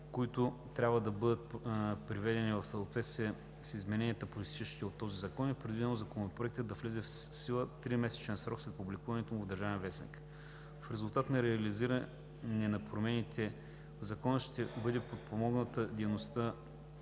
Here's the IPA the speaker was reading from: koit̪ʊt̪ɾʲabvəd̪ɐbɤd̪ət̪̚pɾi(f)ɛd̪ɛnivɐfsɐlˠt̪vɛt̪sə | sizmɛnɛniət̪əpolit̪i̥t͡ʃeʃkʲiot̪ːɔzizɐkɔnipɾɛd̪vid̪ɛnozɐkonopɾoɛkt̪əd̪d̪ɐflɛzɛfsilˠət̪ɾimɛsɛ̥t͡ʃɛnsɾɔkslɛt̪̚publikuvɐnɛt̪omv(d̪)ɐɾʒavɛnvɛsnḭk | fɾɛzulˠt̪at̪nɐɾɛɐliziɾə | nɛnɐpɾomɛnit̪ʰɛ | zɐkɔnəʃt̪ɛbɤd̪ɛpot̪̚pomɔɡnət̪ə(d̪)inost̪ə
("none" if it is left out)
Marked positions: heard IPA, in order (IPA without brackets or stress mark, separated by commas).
v, d̪, d̪